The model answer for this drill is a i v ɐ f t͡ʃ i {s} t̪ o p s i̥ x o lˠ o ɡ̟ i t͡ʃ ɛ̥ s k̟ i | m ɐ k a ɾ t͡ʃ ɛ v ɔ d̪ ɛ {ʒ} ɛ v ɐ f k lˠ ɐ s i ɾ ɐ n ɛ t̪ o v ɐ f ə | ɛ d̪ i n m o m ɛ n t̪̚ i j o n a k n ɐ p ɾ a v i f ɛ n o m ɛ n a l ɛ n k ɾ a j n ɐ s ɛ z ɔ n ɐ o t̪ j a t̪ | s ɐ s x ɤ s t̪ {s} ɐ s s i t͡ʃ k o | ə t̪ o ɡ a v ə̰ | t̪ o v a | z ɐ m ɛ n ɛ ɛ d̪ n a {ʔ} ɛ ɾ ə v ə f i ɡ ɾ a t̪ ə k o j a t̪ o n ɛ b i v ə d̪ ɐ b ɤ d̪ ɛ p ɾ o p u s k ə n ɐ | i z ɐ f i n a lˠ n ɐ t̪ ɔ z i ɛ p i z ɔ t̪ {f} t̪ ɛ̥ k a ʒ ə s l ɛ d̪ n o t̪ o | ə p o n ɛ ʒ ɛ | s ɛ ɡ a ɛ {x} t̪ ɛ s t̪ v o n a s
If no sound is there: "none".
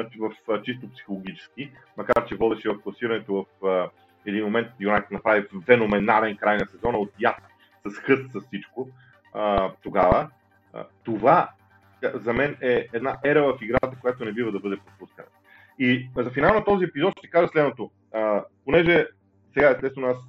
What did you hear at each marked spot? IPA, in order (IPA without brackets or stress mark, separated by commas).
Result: s, ʃ, s, ʔ, ʃ, s